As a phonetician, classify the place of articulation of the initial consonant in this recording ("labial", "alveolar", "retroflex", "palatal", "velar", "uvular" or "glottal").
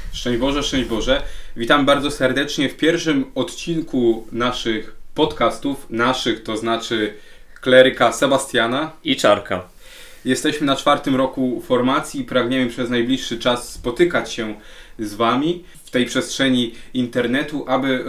retroflex